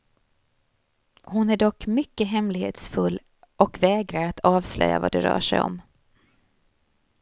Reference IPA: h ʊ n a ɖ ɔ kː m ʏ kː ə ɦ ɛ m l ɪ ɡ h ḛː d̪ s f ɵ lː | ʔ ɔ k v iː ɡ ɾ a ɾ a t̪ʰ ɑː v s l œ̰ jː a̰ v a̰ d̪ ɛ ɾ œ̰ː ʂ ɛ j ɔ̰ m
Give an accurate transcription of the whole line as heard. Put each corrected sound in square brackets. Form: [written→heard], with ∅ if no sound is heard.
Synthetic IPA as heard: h ʊ n [a→æ] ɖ ɔ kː m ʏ kː ə ɦ ɛ m l ɪ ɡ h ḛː [d̪→t̪] s f ɵ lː | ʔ ɔ k v [iː→ɛː] ɡ ɾ a ɾ a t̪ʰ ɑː v s l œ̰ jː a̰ v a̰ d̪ ɛ ɾ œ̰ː ʂ ɛ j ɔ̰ m